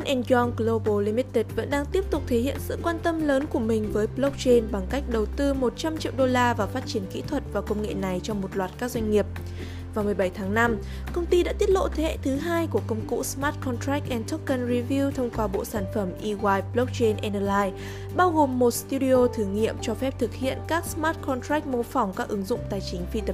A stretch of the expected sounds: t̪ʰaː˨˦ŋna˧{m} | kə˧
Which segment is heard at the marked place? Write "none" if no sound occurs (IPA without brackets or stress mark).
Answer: m